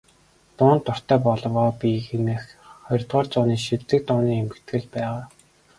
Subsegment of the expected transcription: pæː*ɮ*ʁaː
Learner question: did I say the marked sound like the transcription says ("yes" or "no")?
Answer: no